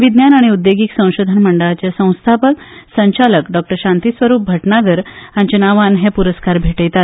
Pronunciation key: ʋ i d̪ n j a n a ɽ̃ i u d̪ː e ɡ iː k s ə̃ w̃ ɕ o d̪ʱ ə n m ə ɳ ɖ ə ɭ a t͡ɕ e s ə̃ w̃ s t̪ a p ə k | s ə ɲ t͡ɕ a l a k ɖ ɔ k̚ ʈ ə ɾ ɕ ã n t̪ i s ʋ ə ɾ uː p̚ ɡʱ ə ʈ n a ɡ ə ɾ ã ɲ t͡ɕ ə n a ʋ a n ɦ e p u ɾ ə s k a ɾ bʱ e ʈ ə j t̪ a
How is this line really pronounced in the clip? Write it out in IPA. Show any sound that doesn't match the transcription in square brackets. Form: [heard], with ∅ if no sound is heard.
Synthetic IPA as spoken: ʋ i d̪ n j a n a ɽ̃ i u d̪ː e ɡ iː k s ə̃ w̃ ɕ o d̪ʱ ə n m ə ɳ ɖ ə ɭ a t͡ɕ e s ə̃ w̃ s [t̪ʰ] a p ə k | s ə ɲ t͡ɕ a l [ə] k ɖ ɔ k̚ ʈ ə ɾ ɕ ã n t̪ i s ʋ ə ɾ uː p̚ [bʱ] ə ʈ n a ɡ ə ɾ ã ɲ t͡ɕ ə n a ʋ a n ɦ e p u ɾ ə s k a ɾ bʱ e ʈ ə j t̪ a